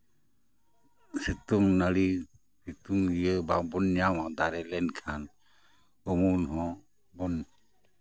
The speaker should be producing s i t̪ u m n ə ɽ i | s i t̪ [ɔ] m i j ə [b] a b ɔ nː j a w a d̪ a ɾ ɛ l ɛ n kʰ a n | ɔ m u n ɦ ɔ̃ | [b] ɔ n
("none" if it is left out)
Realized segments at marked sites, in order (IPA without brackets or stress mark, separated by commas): u, b, b